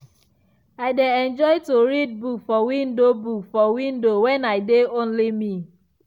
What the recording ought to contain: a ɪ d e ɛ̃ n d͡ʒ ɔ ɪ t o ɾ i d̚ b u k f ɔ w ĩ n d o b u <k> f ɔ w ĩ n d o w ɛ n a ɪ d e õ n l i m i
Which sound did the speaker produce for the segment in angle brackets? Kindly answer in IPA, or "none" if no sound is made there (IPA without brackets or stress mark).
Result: k